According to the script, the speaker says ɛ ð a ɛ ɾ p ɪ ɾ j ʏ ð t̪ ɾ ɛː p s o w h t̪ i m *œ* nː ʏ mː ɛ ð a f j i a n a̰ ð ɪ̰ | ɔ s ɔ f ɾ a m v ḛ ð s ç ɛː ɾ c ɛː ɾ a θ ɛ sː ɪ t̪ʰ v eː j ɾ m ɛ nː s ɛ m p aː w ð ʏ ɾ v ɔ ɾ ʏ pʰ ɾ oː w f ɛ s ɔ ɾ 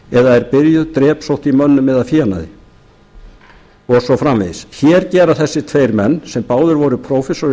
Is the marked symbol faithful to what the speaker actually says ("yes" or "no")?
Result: yes